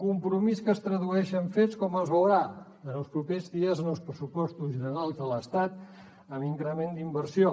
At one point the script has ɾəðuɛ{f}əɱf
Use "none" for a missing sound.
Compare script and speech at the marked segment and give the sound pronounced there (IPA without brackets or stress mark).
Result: ʃ